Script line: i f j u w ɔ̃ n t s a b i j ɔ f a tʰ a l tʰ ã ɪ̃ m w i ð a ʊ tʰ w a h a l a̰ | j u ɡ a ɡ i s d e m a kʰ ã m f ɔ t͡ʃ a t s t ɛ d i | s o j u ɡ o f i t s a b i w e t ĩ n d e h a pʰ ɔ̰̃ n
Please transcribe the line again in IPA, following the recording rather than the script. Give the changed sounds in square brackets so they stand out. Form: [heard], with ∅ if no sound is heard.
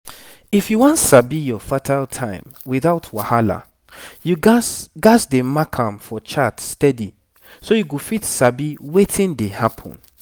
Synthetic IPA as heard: i f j u w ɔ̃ n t s a b i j ɔ f a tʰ a l tʰ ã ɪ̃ m w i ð a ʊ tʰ w a h a l a̰ | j u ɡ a ɡ [a] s d e m a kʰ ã m f ɔ t͡ʃ a t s t ɛ d i | s o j u ɡ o f i t s a b i w e t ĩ n d e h a pʰ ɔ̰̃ n